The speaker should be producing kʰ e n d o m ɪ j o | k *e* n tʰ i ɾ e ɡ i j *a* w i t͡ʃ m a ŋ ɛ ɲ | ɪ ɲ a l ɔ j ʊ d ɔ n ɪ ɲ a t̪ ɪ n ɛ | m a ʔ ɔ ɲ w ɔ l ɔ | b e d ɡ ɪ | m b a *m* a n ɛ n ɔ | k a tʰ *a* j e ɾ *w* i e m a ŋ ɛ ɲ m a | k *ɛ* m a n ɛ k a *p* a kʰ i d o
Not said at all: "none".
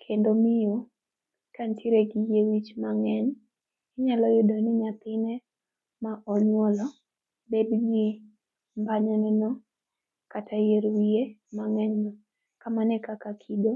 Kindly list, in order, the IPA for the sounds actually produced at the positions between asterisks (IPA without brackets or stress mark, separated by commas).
a, e, ɲ, a, w, a, k